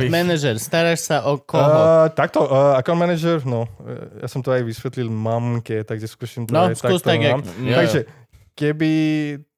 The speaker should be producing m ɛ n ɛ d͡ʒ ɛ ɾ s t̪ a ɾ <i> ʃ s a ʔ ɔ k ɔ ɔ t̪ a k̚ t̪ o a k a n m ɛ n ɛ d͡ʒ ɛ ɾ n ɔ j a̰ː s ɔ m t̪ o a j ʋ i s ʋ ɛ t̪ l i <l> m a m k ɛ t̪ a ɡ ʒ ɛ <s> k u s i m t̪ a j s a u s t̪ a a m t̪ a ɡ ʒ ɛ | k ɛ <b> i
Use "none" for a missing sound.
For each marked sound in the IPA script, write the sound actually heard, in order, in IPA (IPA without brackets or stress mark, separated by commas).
a, l, s, b